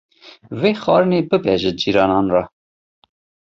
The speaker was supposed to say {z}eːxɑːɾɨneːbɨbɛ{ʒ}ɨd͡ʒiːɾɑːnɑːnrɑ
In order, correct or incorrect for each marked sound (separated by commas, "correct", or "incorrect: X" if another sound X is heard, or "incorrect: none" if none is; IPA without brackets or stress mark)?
incorrect: v, correct